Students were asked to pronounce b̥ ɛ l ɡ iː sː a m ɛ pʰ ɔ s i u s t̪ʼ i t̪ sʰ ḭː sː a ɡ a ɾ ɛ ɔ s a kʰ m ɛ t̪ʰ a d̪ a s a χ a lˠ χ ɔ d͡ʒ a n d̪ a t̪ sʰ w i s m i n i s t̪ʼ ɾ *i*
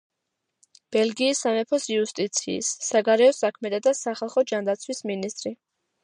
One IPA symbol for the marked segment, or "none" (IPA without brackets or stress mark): i